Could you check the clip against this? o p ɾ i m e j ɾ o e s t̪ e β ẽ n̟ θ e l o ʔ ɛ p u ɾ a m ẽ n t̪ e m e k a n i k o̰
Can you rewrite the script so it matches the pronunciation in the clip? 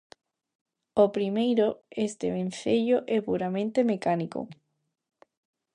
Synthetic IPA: o p ɾ i m e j ɾ o e s t̪ e β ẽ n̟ θ e ʎ o ʔ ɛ p u ɾ a m ẽ n t̪ e m e k a n i k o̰